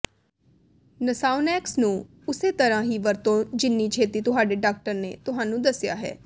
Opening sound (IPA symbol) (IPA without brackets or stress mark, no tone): n